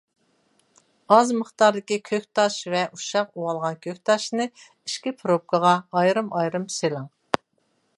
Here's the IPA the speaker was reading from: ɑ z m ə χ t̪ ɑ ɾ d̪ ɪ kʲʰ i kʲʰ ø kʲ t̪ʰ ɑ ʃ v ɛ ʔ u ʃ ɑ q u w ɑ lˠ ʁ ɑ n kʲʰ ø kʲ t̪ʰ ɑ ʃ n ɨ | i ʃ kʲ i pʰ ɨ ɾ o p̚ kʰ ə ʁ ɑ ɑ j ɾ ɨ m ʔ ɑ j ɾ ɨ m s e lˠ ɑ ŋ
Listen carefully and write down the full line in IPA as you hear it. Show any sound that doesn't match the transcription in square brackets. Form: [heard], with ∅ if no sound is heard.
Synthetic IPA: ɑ z m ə χ t̪ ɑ ɾ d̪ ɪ [kʲ] i kʲʰ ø kʲ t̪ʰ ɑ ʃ v ɛ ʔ u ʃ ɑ q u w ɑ lˠ ʁ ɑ n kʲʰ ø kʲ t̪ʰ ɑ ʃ n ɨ | i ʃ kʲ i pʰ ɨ ɾ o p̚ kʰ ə ʁ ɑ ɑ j ɾ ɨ m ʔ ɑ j ɾ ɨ m s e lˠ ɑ ŋ

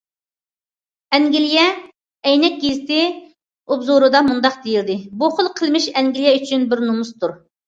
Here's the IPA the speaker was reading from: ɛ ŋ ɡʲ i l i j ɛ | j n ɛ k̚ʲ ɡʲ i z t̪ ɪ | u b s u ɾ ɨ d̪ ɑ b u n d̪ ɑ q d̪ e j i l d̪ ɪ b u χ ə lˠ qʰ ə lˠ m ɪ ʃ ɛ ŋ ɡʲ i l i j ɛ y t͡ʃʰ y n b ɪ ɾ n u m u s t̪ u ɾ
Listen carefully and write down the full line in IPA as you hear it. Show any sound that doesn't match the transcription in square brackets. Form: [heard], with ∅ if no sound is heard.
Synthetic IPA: ɛ ŋ ɡʲ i l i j ɛ | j n ɛ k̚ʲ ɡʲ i z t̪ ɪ | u b [z] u ɾ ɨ d̪ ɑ [m] u n d̪ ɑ q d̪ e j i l d̪ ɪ b u χ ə lˠ qʰ ə lˠ m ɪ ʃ ɛ ŋ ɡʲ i l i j ɛ y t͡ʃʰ y n b ɪ ɾ n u m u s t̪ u ɾ

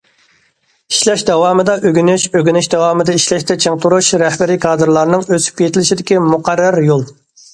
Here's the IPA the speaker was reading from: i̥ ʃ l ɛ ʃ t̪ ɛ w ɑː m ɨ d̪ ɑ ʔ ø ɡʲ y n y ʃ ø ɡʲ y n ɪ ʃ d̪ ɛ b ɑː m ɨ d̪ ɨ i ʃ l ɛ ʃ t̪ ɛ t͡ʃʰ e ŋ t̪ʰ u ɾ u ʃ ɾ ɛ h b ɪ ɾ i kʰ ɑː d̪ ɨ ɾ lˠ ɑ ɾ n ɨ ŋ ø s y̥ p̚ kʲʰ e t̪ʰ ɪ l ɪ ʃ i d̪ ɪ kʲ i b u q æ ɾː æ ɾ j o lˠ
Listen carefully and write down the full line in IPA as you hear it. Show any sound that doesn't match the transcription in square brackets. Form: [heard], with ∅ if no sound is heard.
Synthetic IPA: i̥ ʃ l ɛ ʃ [d̪] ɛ w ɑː m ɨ d̪ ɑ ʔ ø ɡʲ y n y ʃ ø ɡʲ y n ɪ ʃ d̪ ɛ [w] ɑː m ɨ d̪ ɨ i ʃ l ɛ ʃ t̪ ɛ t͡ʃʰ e ŋ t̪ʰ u ɾ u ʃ ɾ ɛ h b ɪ ɾ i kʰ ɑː d̪ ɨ ɾ lˠ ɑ ɾ n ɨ ŋ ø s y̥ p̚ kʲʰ e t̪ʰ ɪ l ɪ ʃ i d̪ ɪ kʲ i [m] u q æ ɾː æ ɾ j o lˠ

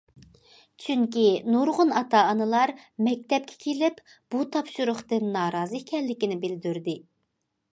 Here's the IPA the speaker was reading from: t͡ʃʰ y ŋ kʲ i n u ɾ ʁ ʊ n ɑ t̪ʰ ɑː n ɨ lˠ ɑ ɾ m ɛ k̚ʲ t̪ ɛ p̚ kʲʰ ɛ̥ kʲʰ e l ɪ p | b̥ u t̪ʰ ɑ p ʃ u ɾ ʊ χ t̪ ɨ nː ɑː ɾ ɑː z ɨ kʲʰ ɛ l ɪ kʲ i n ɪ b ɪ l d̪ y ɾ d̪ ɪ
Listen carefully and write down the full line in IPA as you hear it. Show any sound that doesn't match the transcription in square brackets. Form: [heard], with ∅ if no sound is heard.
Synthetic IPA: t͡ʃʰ y ŋ kʲ i n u ɾ ʁ ʊ n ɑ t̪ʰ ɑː n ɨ lˠ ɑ ɾ m ɛ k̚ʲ t̪ ɛ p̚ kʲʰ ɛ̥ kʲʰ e l ɪ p | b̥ u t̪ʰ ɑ p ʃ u ɾ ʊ χ t̪ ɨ nː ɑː ɾ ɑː z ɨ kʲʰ ɛ [lː] ɪ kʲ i n ɪ b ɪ l d̪ y ɾ d̪ ɪ

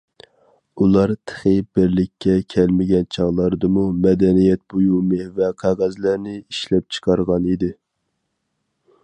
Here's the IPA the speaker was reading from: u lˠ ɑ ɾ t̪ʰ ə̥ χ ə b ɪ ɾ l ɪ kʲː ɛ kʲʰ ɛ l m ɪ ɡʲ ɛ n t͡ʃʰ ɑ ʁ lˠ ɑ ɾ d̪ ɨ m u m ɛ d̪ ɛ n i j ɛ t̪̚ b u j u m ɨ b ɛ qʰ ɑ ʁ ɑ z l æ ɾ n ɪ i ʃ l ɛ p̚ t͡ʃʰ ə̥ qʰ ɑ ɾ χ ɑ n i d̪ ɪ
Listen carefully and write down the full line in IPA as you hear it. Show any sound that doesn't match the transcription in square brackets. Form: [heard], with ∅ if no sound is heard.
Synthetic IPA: u lˠ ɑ ɾ t̪ʰ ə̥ χ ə b ɪ ɾ l ɪ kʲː ɛ kʲʰ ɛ l m ɪ ɡʲ ɛ n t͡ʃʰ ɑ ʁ lˠ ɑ ɾ d̪ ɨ m u m ɛ d̪ ɛ n i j ɛ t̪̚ b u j u m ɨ [v] ɛ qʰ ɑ ʁ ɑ z l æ ɾ n ɪ i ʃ l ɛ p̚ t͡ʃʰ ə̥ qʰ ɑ ɾ [ʁ] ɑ n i d̪ ɪ

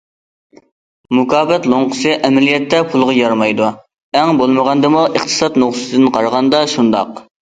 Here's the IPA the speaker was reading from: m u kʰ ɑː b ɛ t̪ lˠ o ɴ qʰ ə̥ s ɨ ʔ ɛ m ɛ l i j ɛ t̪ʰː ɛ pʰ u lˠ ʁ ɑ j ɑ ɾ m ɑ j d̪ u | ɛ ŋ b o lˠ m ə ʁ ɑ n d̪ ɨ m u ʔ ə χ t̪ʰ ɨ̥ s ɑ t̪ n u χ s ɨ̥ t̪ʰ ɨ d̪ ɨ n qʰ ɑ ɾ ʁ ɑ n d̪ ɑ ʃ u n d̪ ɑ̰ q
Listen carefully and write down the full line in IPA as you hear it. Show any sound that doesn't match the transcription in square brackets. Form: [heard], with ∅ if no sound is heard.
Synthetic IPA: m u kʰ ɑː b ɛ t̪ lˠ o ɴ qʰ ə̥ s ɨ ʔ ɛ m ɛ l i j ɛ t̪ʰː ɛ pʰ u lˠ ʁ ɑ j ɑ ɾ m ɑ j d̪ u | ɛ ŋ b o lˠ m ə ʁ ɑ n d̪ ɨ m u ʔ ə χ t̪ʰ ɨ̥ s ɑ t̪ n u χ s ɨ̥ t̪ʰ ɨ d̪ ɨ n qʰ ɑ ɾ ʁ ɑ n d̪ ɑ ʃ u n d̪ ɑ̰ q

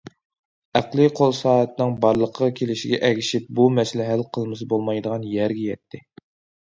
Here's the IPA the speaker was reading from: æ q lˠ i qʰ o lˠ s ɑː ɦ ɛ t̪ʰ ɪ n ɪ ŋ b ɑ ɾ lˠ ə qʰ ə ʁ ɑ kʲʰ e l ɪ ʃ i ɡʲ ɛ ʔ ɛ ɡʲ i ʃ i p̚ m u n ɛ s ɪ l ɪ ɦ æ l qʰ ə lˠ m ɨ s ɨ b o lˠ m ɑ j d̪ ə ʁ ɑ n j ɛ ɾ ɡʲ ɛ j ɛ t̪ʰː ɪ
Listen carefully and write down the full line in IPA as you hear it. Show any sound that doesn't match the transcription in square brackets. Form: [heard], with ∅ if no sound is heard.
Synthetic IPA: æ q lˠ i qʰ o lˠ s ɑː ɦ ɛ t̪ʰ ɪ n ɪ ŋ b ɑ ɾ lˠ ə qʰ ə ʁ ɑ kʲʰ e l ɪ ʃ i ɡʲ ɛ ʔ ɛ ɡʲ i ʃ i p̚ [b] u [m] ɛ s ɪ l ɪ ɦ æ l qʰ ə lˠ m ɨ s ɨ b o lˠ m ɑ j d̪ ə ʁ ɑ n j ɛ ɾ ɡʲ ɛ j ɛ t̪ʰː ɪ

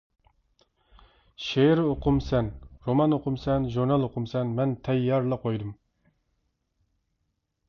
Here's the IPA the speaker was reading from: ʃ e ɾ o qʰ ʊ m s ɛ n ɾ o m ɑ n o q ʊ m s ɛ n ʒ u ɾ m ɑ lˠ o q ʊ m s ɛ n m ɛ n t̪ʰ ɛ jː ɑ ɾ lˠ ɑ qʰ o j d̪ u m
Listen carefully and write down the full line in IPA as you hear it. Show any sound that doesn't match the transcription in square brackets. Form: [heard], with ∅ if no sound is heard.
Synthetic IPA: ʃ e ɾ o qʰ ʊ m s ɛ n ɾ o m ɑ n o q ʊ m s ɛ n ʒ u ɾ [n] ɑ lˠ o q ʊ m s ɛ n m ɛ n t̪ʰ ɛ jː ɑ ɾ lˠ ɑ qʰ o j d̪ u m

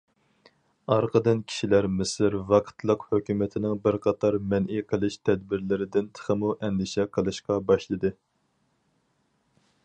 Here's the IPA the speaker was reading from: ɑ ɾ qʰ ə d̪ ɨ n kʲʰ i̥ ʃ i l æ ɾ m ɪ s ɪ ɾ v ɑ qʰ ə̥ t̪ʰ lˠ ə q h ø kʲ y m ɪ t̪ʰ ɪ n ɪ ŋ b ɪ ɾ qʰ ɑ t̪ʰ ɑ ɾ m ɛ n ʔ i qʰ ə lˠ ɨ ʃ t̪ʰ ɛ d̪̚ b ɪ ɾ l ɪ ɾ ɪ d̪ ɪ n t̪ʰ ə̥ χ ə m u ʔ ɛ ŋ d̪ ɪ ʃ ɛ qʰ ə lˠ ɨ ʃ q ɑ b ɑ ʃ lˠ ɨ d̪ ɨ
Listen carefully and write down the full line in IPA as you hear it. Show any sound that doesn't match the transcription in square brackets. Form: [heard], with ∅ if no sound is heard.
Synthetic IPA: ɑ ɾ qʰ ə d̪ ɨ n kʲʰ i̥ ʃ i l æ ɾ m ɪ s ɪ ɾ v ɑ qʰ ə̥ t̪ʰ lˠ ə q h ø kʲ y m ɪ t̪ʰ ɪ n ɪ ŋ b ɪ ɾ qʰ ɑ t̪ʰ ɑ ɾ m ɛ n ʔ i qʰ ə lˠ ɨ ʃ t̪ʰ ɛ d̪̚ b ɪ ɾ l ɪ ɾ ɪ d̪ ɪ n t̪ʰ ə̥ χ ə m u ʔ ɛ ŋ d̪ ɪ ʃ ɛ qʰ ə lˠ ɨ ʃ q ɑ b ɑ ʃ lˠ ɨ d̪ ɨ

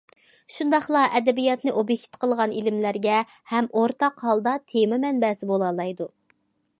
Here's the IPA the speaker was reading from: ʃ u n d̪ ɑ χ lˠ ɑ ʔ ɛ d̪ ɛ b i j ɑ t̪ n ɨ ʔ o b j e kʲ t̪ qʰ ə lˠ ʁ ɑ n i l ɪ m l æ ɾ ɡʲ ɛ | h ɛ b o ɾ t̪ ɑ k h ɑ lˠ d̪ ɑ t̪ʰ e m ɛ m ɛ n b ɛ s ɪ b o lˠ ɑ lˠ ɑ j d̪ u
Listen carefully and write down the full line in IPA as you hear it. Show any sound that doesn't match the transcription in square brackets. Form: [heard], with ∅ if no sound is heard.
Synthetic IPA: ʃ u n d̪ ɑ χ lˠ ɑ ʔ ɛ d̪ ɛ b i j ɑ t̪ n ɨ ʔ o b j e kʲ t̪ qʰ ə lˠ ʁ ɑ n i l ɪ m l æ ɾ ɡʲ ɛ | h ɛ [m] o ɾ t̪ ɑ [q] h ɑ lˠ d̪ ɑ t̪ʰ e m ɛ m ɛ n b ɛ s ɪ b o lˠ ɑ lˠ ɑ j d̪ u

